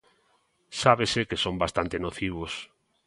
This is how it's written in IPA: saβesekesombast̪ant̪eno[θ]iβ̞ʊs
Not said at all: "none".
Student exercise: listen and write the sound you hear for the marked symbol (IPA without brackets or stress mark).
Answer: θ